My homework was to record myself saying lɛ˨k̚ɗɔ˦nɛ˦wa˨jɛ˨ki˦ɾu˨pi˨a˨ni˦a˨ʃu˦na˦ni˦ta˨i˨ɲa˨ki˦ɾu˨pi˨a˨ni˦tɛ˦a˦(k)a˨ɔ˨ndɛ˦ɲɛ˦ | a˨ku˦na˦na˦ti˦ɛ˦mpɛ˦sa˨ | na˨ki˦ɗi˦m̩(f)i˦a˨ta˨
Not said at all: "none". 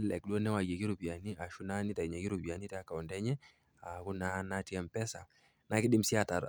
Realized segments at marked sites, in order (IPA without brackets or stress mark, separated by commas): k, s